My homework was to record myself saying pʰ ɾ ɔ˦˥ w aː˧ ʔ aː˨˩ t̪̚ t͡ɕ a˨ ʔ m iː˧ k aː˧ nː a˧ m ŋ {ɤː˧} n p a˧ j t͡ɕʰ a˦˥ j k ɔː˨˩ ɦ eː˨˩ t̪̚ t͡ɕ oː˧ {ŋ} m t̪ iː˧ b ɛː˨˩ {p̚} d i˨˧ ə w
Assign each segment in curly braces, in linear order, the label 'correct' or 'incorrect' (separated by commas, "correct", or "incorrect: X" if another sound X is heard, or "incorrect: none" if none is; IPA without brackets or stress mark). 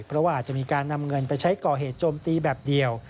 incorrect: ɤ˧, incorrect: none, correct